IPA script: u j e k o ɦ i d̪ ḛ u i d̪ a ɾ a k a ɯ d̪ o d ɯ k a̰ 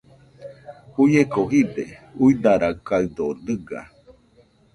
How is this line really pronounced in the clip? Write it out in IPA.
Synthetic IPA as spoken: u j e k o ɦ i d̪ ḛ u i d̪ a ɾ a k a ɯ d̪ o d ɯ ɡ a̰